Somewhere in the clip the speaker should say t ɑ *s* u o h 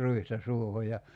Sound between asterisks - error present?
no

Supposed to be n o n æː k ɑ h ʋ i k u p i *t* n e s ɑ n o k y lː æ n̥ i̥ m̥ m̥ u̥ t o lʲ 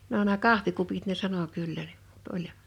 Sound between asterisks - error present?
no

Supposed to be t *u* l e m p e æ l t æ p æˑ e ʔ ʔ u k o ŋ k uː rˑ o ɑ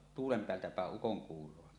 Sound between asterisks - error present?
yes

